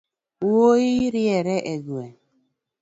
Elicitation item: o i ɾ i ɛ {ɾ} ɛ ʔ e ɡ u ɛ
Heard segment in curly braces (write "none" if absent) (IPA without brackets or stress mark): ɾ